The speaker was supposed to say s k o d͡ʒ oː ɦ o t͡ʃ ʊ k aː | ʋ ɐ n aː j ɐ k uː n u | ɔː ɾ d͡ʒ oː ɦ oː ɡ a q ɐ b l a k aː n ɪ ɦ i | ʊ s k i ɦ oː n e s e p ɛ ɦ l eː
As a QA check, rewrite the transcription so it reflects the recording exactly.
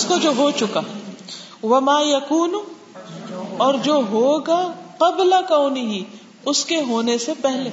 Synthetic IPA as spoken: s k o d͡ʒ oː ɦ o t͡ʃ ʊ k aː | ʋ ɐ m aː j ɐ k uː n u | ɔː ɾ d͡ʒ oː ɦ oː ɡ a q ɐ b l a k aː n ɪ ɦ i | ʊ s k e ɦ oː n e s e p ɛ ɦ l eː